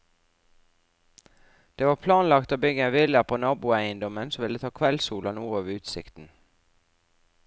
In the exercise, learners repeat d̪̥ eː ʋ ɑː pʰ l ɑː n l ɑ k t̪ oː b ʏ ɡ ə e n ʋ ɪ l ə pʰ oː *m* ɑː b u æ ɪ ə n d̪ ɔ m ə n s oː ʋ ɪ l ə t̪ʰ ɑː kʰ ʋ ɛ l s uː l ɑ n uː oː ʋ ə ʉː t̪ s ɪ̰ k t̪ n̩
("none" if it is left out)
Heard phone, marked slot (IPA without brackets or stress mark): n